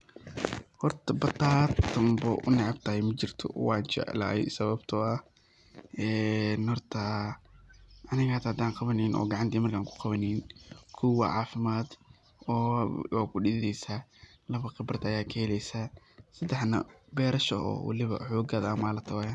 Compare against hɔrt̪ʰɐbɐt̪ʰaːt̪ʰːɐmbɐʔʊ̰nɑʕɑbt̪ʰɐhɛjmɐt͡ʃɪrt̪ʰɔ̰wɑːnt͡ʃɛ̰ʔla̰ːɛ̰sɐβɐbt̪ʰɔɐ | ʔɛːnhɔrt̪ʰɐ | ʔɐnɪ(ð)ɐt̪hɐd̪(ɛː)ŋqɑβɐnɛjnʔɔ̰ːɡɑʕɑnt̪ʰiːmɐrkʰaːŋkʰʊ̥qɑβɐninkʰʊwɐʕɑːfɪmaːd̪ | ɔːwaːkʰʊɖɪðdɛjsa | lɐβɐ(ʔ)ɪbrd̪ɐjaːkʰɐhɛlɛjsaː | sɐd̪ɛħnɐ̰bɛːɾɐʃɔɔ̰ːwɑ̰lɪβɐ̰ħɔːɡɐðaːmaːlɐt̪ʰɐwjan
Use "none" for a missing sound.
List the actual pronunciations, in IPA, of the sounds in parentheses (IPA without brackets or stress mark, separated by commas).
ɣ, aː, q